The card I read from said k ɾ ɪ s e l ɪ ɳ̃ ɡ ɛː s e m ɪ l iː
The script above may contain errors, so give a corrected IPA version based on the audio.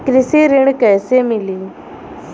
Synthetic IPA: k ɾ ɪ s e ɾ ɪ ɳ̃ k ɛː s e m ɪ l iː